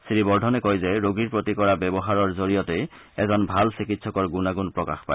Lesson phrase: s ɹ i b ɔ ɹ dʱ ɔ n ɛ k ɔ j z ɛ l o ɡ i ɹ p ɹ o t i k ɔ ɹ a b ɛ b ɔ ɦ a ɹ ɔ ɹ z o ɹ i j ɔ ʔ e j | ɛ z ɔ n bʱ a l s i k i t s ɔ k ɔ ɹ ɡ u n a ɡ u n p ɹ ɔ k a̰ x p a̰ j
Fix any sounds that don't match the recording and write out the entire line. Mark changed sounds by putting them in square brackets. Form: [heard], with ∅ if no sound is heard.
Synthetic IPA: s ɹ i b ɔ ɹ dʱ ɔ n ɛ k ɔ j z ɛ [ɹ] o ɡ i ɹ p ɹ o t i k ɔ ɹ a b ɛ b ɔ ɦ a ɹ ɔ ɹ z o ɹ i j ɔ [t] e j | ɛ z ɔ n bʱ a l s i k i t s ɔ k ɔ ɹ ɡ u n a ɡ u n p ɹ ɔ k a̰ x p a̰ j